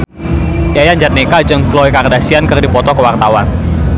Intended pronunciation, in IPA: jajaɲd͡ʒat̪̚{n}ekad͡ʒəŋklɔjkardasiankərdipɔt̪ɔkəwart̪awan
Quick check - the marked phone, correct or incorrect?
correct